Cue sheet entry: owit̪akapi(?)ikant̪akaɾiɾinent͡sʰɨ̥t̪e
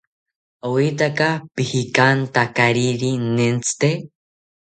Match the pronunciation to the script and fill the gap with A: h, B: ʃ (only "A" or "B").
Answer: A